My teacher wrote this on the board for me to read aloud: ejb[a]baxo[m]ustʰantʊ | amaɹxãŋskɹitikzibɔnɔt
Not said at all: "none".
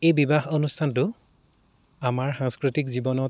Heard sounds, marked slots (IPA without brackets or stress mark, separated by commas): i, n